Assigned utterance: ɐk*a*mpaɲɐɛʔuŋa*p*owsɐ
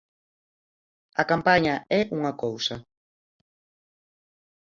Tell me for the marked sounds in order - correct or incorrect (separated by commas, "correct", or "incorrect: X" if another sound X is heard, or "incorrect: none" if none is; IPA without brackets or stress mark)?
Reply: correct, incorrect: k